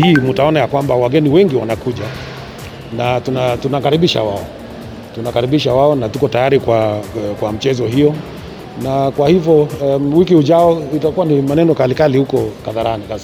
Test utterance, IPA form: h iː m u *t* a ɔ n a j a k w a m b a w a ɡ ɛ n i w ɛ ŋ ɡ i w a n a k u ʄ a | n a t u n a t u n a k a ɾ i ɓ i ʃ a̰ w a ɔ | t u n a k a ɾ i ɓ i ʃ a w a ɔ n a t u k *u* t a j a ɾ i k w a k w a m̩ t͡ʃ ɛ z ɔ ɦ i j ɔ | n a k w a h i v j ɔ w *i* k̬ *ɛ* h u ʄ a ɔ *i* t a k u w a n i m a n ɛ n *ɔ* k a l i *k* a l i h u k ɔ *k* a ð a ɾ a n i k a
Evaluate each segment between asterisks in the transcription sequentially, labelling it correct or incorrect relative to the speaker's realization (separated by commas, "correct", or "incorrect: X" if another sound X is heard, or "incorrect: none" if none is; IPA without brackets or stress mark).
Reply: correct, incorrect: ɔ, correct, incorrect: i, correct, correct, correct, correct